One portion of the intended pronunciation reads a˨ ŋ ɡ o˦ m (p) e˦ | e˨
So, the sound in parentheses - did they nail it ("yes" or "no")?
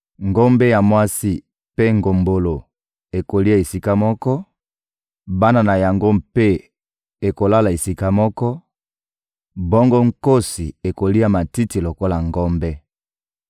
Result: yes